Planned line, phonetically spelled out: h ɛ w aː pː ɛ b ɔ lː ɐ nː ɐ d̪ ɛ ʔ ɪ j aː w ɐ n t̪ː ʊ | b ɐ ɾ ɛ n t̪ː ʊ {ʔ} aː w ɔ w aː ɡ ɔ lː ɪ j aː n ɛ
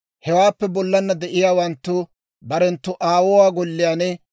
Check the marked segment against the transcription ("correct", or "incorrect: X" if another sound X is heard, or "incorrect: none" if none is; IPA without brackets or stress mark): correct